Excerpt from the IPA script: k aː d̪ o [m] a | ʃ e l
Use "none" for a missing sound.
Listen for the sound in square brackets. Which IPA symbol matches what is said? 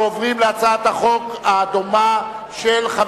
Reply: m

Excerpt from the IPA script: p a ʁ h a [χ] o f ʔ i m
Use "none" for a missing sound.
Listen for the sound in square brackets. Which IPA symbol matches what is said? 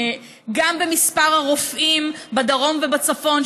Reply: ʁ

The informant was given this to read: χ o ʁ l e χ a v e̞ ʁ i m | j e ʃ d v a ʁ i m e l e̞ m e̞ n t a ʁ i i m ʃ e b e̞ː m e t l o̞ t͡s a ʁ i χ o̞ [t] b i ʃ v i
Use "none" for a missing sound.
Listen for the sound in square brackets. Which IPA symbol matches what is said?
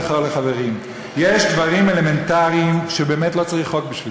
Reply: k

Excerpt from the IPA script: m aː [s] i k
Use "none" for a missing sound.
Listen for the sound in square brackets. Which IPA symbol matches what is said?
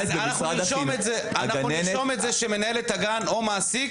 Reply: s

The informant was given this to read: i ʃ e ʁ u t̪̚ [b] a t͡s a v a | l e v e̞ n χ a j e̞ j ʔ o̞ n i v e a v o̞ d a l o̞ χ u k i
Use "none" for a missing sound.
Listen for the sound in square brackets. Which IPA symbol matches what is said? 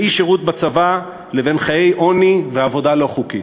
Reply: b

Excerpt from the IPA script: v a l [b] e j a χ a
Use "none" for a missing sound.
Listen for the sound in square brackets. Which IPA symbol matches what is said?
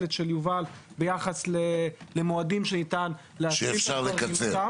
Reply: b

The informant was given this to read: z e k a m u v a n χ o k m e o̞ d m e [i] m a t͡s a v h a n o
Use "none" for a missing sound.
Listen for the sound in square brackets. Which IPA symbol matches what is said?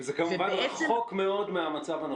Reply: a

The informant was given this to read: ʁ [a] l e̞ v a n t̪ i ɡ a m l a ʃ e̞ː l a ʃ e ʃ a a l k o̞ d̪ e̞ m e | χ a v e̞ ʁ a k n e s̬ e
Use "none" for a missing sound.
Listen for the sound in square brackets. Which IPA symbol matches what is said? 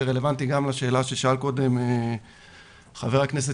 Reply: e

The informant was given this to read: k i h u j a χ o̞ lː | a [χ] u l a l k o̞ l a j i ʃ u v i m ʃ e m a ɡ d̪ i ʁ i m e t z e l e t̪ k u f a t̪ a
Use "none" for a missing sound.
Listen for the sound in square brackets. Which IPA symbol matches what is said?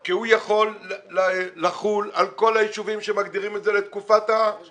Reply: χ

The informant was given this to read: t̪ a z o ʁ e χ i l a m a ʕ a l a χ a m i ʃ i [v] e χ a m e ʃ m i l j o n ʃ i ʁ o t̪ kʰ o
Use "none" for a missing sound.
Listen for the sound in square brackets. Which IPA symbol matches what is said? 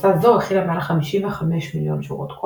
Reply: v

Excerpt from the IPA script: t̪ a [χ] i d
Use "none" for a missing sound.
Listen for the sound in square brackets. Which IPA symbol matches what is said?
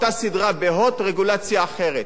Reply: s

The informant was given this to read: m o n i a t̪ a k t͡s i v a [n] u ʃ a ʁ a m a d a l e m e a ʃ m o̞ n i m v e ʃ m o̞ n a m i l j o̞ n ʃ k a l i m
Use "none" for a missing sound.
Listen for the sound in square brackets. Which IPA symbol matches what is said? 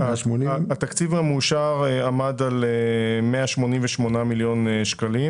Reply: m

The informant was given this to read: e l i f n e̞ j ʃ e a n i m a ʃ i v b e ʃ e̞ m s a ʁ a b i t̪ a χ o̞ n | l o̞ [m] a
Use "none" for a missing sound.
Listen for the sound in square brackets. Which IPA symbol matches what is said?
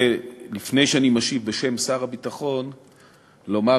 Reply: m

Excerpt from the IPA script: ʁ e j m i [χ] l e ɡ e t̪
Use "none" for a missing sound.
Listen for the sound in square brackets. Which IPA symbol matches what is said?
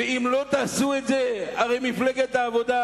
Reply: f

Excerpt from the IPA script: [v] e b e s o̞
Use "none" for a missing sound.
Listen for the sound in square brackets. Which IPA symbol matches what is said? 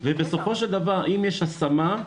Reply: v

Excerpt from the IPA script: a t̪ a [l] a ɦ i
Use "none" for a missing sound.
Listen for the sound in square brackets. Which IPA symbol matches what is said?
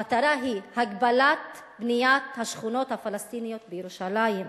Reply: ɾ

